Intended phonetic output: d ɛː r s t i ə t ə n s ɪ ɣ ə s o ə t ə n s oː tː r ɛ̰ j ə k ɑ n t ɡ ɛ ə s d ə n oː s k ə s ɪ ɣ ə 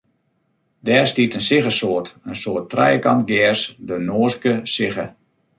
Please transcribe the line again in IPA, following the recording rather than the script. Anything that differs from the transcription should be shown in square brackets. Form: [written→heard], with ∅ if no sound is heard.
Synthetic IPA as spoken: d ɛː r s t i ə t ə n s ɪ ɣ ə s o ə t ə n s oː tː r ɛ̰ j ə k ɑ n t ɡ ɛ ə s d ə n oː s k ə s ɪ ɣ ə